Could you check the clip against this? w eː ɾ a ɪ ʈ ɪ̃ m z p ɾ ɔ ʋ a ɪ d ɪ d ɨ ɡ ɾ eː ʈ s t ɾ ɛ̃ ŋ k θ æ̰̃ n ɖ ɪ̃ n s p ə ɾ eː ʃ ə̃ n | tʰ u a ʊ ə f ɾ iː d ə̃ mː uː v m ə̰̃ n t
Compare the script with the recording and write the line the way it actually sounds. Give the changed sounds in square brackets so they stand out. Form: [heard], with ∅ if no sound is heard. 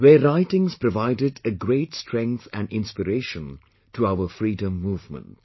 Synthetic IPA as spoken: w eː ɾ a ɪ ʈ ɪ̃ [ŋ] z p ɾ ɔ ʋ a ɪ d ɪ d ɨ ɡ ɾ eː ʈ s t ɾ ɛ̃ ŋ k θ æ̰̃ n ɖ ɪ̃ n s p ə ɾ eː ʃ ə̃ n | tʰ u a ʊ ə f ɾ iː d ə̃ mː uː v m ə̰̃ n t